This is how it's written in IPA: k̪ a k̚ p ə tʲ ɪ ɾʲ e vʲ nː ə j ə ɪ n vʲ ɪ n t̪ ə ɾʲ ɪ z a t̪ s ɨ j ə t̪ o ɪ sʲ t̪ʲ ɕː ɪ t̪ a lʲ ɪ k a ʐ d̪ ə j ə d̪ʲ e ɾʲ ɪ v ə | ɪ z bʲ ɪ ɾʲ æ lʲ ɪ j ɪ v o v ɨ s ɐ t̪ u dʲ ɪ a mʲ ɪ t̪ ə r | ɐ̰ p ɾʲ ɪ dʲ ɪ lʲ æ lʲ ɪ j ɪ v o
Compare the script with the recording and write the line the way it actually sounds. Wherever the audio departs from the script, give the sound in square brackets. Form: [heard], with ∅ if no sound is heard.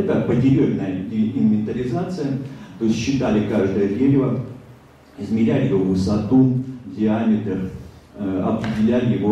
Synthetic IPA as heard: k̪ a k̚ p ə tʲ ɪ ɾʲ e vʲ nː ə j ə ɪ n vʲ ɪ n t̪ ə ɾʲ ɪ z a t̪ s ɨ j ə t̪ o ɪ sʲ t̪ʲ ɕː ɪ t̪ a lʲ ɪ k a ʐ d̪ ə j ə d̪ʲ e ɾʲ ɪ v ə | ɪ z [mʲ] ɪ ɾʲ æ lʲ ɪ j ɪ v o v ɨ s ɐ t̪ u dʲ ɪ a mʲ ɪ t̪ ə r | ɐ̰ p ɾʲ ɪ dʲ ɪ lʲ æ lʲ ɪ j ɪ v o